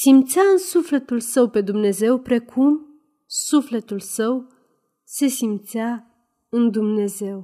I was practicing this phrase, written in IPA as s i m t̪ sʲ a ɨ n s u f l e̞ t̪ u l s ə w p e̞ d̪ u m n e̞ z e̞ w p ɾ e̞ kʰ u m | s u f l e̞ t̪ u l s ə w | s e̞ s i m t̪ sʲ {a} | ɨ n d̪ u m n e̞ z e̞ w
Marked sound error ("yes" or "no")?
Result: no